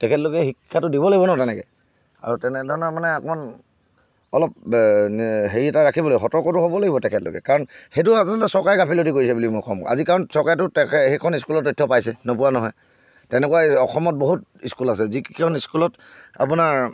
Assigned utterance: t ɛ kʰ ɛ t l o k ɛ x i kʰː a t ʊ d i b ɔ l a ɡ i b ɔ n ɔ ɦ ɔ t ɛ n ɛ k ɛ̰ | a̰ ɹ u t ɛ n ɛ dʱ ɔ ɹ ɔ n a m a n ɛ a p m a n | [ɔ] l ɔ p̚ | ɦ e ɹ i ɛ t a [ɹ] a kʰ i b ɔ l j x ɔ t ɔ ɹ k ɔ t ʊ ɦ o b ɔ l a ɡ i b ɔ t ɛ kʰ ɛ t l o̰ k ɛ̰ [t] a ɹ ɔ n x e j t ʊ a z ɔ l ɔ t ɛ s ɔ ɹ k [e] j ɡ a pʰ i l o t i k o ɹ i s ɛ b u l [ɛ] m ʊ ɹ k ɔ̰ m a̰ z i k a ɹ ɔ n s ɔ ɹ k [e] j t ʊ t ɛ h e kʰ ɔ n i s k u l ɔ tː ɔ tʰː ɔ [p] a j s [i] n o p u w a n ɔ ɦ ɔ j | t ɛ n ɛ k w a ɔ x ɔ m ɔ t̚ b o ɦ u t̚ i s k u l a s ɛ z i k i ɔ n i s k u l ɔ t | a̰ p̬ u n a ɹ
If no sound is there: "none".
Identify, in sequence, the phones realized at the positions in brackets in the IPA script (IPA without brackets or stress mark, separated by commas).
ɔ, ɹ, k, a, i, a, p, ɛ